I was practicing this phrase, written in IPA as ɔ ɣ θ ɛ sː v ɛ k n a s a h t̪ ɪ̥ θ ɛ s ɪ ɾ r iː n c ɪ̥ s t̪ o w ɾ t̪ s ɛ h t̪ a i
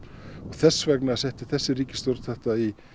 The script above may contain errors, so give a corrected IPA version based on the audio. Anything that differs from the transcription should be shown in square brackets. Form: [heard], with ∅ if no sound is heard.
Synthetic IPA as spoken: ɔ ɣ θ ɛ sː v ɛ k n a s [ɛ] h t̪ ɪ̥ θ ɛ [sː] ɪ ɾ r iː [∅] c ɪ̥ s t̪ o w ɾ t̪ [θ] ɛ h t̪ a i